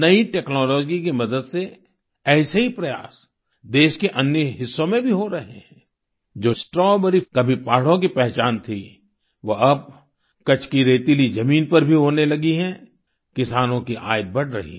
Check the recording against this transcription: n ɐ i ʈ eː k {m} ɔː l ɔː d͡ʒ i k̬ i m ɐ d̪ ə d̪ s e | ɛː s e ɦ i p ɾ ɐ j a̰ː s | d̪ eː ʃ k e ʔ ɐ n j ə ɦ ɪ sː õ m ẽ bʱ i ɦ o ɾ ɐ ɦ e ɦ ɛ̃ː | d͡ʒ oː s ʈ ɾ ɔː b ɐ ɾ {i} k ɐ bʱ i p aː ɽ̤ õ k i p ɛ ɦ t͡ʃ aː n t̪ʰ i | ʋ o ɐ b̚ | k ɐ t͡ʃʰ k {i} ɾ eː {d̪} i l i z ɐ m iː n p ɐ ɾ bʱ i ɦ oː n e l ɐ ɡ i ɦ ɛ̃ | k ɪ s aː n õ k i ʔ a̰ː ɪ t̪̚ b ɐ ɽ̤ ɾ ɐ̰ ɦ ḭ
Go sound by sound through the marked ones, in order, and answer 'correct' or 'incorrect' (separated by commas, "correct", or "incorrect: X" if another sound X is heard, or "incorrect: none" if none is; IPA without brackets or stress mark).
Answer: incorrect: n, correct, correct, incorrect: t̪